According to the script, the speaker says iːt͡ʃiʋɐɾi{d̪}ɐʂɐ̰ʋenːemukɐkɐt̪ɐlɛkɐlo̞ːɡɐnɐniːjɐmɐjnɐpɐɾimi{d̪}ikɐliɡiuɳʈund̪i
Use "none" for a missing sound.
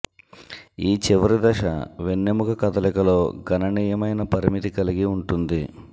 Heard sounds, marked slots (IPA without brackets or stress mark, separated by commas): d̪, t̪